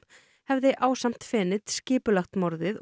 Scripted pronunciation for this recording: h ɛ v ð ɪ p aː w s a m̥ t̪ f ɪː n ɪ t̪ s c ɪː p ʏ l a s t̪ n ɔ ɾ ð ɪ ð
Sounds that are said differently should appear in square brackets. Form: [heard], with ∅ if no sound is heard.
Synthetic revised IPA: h ɛ v ð ɪ [ʔ] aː w s a m̥ t̪ f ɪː n ɪ t̪ s c ɪː p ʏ l a [x] t̪ [m] ɔ ɾ ð ɪ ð